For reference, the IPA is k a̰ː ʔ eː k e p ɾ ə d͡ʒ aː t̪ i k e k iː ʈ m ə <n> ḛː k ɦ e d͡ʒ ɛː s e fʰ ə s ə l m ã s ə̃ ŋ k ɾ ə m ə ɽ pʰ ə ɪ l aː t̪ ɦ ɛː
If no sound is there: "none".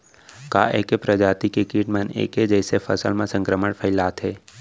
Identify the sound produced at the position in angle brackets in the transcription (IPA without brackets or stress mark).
n